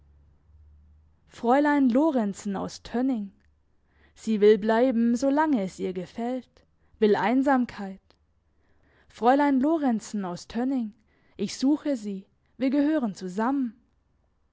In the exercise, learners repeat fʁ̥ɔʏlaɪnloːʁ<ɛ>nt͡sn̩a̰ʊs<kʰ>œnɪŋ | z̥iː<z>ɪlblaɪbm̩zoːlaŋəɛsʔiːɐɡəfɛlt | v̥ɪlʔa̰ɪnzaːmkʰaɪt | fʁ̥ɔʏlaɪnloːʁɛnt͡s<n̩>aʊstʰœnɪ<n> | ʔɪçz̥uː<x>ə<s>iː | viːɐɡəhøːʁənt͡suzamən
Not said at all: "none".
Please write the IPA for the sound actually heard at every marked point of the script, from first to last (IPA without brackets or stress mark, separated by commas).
ɛ, tʰ, v, n̩, ŋ, x, z